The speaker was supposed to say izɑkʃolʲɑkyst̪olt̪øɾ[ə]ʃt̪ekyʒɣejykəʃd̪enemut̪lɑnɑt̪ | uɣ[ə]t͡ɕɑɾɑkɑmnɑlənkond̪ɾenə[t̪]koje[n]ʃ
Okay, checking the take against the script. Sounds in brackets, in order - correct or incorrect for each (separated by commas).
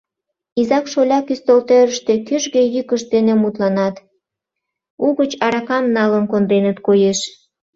correct, correct, correct, incorrect